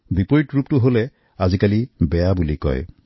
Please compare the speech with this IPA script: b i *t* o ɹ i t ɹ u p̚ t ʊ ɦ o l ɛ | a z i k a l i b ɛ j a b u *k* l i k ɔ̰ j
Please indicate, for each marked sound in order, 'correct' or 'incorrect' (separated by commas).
incorrect, incorrect